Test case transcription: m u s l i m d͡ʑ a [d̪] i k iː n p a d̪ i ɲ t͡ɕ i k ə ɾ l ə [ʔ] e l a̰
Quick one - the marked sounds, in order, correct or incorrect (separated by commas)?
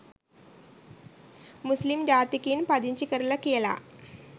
incorrect, incorrect